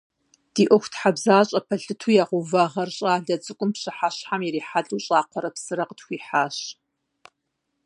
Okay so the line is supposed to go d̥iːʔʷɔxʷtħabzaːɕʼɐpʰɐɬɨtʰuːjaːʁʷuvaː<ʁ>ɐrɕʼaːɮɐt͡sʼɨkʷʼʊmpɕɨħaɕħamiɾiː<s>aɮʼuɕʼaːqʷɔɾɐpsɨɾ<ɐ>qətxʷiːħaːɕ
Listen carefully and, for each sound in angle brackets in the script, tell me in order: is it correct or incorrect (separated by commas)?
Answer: correct, incorrect, correct